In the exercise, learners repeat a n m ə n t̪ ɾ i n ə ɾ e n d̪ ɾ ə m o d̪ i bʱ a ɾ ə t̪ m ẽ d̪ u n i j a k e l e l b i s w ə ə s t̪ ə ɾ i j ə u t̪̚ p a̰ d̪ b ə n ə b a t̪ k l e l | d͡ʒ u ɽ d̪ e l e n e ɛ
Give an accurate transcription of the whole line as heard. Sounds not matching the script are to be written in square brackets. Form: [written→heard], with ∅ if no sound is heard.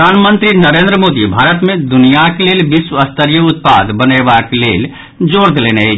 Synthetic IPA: a n m ə n t̪ ɾ i n ə ɾ e n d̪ ɾ ə m o d̪ i bʱ a ɾ ə t̪ m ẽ d̪ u n i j a k e l e l b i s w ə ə s t̪ ə ɾ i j ə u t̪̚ p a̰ d̪ b ə n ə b a [t̪→∅] k l e l | d͡ʒ [u→o] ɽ d̪ e l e n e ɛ

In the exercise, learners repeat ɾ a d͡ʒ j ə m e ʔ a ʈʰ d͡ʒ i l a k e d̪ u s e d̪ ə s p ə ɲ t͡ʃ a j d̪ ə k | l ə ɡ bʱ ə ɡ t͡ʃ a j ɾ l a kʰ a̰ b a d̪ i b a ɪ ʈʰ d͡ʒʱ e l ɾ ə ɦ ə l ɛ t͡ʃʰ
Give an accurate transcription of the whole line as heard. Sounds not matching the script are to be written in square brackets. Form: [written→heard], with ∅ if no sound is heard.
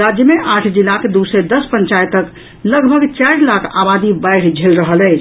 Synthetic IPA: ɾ a d͡ʒ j ə m e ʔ a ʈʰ d͡ʒ i l a k e d̪ u s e d̪ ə s p ə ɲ t͡ʃ a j [d̪→t̪] ə k | l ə ɡ bʱ ə ɡ t͡ʃ a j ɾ l a kʰ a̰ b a d̪ i b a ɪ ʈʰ d͡ʒʱ e l ɾ ə ɦ ə l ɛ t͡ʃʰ

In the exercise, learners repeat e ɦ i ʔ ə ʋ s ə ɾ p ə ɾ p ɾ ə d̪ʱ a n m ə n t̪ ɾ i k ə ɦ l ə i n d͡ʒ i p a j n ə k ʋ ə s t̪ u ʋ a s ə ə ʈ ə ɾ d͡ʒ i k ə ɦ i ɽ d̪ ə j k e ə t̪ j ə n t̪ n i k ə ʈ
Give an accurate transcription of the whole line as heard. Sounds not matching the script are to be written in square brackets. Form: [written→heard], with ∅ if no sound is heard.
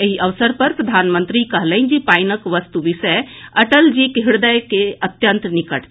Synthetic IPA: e ɦ i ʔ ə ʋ s ə ɾ p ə ɾ p ɾ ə d̪ʱ a n m ə n t̪ ɾ i k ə ɦ l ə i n d͡ʒ i p a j n ə k ʋ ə s t̪ u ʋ [a→i] s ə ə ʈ ə [ɾ→l] d͡ʒ i k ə ɦ i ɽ d̪ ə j k e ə t̪ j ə n t̪ n i k ə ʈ

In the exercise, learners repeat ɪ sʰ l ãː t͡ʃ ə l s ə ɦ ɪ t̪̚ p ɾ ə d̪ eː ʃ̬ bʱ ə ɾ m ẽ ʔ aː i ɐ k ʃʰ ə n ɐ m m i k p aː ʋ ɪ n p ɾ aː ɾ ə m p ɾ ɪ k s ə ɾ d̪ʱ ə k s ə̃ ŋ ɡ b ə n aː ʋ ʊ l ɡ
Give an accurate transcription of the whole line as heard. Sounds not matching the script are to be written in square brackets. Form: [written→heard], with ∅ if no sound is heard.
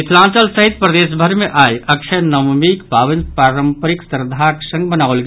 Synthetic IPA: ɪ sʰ l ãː t͡ʃ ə l s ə ɦ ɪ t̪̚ p ɾ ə d̪ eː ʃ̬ bʱ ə ɾ m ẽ ʔ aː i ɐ k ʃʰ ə n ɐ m m i k p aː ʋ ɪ n p ɾ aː ɾ ə m p ɾ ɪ k s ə ɾ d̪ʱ [ə→a] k s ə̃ ŋ ɡ b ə n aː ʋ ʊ l ɡ

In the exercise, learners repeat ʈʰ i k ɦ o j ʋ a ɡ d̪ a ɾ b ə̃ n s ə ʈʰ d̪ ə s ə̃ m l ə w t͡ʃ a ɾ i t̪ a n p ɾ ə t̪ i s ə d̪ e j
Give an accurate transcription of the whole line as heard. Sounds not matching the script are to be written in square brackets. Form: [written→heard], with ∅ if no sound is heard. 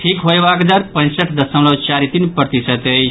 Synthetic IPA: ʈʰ i k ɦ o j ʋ a ɡ d̪ a ɾ [b→p] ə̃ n s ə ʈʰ d̪ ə s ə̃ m l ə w t͡ʃ a ɾ i t̪ [a→i] n p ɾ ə t̪ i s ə [d̪→t̪] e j

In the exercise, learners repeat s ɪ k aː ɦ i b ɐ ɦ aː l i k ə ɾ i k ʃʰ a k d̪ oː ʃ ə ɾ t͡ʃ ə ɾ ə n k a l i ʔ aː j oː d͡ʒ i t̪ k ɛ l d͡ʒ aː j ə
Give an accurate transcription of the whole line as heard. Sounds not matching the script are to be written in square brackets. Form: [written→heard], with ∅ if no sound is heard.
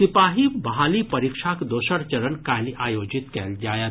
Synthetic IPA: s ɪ [k→p] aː ɦ i b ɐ ɦ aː l i [k→p] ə ɾ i k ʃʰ a k d̪ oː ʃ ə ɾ t͡ʃ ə ɾ ə n k a l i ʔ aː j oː d͡ʒ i t̪ k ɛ l d͡ʒ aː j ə

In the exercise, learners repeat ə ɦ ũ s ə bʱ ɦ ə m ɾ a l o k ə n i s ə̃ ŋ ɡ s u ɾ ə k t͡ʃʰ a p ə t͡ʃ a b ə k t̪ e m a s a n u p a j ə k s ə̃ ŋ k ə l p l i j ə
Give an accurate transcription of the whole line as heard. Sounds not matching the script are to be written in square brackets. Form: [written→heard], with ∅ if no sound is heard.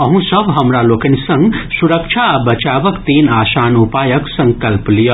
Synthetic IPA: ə ɦ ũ s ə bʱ ɦ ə m ɾ a l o k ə n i s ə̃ ŋ ɡ s u ɾ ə k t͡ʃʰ a [p→b] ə t͡ʃ a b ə k t̪ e [m→n] a s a n u p a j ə k s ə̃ ŋ k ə l p l i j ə

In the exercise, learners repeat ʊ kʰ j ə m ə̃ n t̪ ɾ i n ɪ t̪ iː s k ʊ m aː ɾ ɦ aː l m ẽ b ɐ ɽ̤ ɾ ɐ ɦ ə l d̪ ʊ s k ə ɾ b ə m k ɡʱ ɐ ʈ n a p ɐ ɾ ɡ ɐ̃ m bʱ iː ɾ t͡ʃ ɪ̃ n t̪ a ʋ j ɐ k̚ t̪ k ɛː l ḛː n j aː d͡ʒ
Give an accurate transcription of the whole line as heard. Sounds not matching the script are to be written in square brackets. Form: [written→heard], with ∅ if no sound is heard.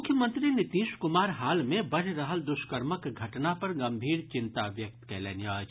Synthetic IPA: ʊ kʰ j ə m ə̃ n t̪ ɾ i n ɪ t̪ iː [s→ʃ] k ʊ m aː ɾ ɦ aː l m ẽ b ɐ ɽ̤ ɾ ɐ ɦ ə l d̪ ʊ [s→ʃ] k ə ɾ [b→m] ə [m→∅] k ɡʱ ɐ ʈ n a p ɐ ɾ ɡ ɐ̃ m bʱ iː ɾ t͡ʃ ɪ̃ n t̪ a ʋ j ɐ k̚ t̪ k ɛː l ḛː n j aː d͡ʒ

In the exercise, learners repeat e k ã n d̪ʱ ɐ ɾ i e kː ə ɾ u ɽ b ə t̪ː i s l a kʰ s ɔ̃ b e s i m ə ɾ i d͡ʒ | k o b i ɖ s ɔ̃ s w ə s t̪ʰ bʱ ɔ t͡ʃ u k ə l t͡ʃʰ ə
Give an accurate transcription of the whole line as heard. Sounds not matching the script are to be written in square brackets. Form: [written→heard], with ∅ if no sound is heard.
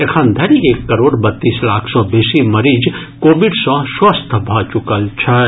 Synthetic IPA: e [k→kʰ] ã n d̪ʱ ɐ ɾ i e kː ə ɾ [u→o] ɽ b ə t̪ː i s l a kʰ s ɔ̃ b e s i m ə ɾ i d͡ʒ | k o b i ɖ s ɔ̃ s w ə s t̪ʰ bʱ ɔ t͡ʃ u k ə l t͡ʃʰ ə

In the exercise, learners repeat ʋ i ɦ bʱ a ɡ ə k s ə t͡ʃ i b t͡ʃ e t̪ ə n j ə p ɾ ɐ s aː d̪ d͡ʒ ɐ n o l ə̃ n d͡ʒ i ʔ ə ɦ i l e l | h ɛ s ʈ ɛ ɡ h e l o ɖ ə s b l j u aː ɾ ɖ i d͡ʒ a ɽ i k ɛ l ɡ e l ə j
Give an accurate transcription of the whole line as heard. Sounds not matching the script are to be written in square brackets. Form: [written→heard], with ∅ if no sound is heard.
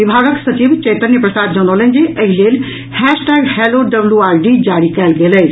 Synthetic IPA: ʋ i [ɦ→∅] bʱ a ɡ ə k s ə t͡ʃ i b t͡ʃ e t̪ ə n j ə p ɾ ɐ s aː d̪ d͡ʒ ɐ n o l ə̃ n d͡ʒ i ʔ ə ɦ i l e l | h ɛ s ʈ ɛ ɡ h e l o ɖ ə [s→∅] b l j u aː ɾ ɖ i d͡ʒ a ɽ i k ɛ l ɡ e l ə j

